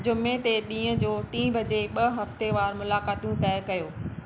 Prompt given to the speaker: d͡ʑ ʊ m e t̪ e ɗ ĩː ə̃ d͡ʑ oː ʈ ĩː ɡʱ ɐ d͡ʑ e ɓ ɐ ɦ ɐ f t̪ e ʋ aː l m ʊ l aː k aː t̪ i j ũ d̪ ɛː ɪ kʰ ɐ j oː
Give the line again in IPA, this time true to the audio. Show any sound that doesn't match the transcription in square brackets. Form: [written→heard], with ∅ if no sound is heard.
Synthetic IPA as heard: d͡ʑ ʊ m e t̪ e ɗ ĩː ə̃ d͡ʑ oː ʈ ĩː [ɡʱ→bʱ] ɐ d͡ʑ e ɓ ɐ ɦ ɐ f t̪ e ʋ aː [l→ɾ] m ʊ l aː k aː t̪ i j ũ [d̪→t̪] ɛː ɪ [kʰ→k] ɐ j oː